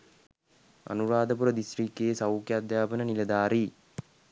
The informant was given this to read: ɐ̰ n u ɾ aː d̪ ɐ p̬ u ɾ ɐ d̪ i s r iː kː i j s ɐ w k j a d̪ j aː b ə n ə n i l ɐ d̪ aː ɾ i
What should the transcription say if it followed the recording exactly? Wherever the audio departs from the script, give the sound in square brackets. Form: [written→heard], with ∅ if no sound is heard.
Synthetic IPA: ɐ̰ n u ɾ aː d̪ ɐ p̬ u ɾ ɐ d̪ i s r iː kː [i→e] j s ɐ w k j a d̪ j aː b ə n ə n i l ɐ d̪ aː ɾ i